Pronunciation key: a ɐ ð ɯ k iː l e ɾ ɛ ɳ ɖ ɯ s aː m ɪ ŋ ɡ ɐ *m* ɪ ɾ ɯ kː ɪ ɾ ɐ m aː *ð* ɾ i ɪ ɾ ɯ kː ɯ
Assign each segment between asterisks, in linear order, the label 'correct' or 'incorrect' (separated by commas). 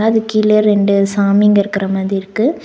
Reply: incorrect, correct